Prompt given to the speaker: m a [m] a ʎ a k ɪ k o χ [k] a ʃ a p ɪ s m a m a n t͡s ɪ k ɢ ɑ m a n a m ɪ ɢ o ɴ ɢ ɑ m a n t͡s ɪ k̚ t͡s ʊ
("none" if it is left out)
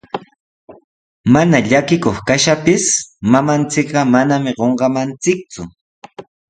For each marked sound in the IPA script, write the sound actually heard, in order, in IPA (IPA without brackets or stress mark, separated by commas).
n, k